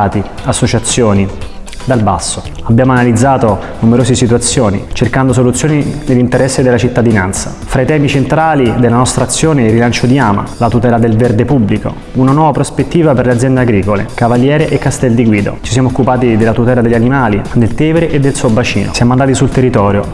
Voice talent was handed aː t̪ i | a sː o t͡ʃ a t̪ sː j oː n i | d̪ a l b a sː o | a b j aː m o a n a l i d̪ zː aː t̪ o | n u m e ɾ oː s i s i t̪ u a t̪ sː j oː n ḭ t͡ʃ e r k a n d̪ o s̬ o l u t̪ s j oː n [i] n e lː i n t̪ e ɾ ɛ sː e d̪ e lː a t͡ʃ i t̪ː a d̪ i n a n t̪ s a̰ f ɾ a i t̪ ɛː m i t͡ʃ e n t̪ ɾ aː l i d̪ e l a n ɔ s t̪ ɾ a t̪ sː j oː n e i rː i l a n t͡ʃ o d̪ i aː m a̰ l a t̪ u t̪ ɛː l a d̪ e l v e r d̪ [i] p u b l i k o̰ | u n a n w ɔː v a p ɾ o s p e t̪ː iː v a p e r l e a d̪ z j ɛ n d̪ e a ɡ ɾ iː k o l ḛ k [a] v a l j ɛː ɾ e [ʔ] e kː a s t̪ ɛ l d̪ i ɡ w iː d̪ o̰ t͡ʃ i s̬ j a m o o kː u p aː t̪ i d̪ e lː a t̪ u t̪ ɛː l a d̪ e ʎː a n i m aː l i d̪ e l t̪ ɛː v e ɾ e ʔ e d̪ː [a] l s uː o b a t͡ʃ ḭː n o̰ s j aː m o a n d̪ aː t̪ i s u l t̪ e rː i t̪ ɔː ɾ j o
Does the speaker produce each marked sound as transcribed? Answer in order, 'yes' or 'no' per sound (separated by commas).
yes, no, yes, yes, no